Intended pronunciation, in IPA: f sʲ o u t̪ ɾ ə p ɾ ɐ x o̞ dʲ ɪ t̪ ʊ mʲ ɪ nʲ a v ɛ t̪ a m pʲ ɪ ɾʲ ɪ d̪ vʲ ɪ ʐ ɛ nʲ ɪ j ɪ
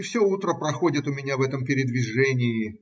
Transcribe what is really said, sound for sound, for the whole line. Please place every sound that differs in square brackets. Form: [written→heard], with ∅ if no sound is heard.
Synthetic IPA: f sʲ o u t̪ ɾ ə p ɾ ɐ x o̞ dʲ ɪ t̪ ʊ mʲ ɪ nʲ a v ɛ t̪ [a→ə] m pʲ ɪ ɾʲ ɪ d̪ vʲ ɪ ʐ ɛ nʲ ɪ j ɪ